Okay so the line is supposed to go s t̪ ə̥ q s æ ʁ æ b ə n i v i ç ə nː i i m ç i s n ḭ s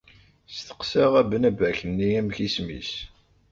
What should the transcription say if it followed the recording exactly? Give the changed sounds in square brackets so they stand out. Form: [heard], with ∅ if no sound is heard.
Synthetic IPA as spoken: s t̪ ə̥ q s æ ʁ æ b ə n [æ] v [æ] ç ə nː i [æ] m ç i s [m] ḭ s